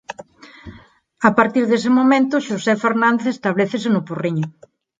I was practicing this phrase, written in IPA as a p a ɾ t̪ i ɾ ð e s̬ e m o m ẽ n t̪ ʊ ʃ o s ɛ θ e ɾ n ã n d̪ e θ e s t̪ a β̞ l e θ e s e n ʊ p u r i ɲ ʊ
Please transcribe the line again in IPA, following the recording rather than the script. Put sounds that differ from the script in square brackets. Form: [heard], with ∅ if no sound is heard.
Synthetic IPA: a p a ɾ t̪ i ɾ ð e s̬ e m o m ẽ n t̪ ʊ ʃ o s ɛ [f] e ɾ n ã n d̪ e θ e s t̪ a β̞ l e θ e s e n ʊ p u r i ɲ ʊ